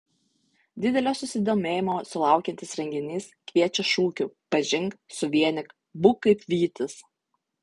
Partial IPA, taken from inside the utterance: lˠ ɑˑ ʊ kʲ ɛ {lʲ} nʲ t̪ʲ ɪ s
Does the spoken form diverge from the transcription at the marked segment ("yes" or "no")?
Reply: yes